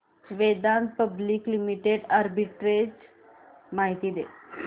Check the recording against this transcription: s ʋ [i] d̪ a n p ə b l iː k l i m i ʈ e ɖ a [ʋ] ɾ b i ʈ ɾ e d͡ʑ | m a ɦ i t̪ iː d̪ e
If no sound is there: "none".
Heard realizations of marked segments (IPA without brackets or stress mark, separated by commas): e, none